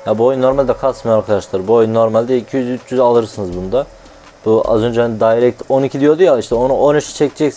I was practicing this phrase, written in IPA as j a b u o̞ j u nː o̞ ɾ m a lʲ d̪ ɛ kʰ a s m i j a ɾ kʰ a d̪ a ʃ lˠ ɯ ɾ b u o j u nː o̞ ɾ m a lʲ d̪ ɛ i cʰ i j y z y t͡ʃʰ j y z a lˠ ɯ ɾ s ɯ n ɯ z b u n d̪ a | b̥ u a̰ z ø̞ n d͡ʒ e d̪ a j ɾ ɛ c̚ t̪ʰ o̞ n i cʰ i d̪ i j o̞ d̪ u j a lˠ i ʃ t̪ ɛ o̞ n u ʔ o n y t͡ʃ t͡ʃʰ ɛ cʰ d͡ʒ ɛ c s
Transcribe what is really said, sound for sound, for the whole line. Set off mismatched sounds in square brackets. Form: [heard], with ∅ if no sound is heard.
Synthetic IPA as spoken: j a b u o̞ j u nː o̞ ɾ m a lʲ d̪ ɛ kʰ a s m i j a ɾ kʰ a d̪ a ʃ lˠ ɯ ɾ b u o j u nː o̞ ɾ m a lʲ d̪ ɛ i cʰ i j y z y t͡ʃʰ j y z a lˠ ɯ ɾ s ɯ n ɯ z b u n d̪ a | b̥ u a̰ z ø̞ n d͡ʒ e d̪ a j ɾ ɛ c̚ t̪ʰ o̞ n i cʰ i d̪ i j o̞ d̪ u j a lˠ i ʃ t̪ ɛ o̞ n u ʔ o n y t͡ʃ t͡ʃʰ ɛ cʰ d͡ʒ ɛ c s